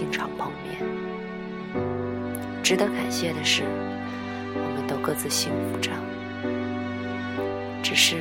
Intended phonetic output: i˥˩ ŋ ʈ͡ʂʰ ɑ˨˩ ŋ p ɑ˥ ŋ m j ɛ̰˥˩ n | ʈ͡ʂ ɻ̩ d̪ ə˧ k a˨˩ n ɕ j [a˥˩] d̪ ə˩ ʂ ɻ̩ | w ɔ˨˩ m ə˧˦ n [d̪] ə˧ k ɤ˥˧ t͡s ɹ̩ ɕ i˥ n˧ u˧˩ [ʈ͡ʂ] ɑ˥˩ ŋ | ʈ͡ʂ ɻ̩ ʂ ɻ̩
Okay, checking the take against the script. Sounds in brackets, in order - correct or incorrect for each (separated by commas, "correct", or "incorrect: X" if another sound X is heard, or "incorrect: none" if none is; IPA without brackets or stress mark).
incorrect: ɛ˥˩, incorrect: t̪, correct